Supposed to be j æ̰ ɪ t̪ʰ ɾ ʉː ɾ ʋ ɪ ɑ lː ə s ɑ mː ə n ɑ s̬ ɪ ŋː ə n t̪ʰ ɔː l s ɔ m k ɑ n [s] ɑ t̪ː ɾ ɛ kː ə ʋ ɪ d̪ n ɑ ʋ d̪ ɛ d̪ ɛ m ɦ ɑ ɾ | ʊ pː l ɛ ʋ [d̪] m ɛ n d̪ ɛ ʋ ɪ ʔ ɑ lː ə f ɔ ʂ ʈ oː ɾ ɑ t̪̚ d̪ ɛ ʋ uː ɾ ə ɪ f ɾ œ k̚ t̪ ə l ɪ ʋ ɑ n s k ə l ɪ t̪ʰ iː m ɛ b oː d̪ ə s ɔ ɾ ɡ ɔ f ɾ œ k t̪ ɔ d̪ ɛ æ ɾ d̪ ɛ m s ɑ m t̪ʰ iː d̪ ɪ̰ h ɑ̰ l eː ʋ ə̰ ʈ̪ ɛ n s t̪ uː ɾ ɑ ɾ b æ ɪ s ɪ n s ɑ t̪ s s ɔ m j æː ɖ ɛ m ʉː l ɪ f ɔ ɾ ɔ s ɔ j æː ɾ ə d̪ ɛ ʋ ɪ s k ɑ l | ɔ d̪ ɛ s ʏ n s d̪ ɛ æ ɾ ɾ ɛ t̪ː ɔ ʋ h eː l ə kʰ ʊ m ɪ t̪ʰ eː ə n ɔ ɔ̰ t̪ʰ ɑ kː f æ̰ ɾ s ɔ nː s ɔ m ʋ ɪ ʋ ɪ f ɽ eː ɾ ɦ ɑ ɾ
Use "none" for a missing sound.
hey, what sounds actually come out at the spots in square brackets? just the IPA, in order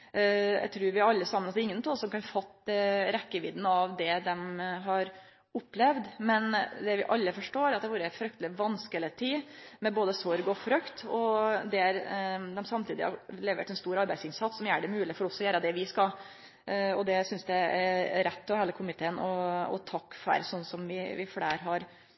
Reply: f, d̪

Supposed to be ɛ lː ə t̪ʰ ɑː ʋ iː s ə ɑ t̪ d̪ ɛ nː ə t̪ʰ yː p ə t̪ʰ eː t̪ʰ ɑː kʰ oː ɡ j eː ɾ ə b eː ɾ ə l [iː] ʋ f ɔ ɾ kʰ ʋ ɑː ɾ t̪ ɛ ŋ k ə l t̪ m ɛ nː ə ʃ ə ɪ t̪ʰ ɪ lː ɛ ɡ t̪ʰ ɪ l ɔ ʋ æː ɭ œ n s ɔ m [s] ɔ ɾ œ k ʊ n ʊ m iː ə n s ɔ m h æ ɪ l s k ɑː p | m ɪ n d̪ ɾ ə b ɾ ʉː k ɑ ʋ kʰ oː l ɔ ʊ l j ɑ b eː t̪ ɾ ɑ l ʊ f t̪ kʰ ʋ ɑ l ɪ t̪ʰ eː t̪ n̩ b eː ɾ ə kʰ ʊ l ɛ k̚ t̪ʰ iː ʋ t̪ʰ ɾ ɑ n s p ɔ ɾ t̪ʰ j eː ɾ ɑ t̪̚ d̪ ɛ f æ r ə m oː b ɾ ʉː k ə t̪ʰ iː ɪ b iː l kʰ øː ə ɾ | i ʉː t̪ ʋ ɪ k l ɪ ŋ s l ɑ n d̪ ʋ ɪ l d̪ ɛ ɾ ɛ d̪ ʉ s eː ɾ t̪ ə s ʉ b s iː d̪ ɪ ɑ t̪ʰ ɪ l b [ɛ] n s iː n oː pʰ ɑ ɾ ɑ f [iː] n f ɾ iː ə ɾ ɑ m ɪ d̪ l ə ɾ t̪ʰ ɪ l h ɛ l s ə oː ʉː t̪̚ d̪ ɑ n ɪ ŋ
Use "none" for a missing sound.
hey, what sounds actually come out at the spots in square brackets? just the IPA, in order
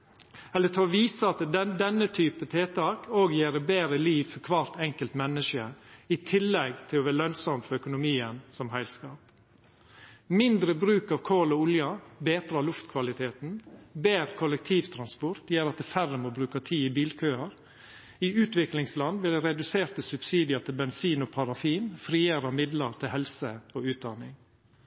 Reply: iː, f, ɛ, iː

